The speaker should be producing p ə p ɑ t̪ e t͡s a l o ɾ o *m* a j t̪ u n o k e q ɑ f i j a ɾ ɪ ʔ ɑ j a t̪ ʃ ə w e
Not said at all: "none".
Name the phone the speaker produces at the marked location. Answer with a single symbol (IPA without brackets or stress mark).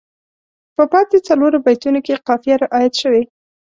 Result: b